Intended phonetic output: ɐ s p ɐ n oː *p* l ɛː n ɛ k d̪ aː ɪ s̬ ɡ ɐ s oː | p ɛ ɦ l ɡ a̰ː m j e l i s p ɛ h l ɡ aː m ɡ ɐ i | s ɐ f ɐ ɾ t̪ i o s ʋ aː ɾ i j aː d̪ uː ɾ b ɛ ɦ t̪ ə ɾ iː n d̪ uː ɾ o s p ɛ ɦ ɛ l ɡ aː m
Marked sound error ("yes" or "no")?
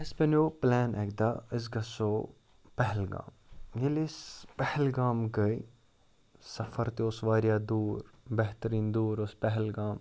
no